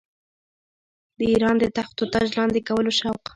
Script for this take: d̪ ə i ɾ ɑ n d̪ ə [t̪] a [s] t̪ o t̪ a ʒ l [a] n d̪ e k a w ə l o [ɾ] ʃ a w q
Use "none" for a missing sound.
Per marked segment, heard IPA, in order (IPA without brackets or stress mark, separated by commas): t̪, x, ɑ, none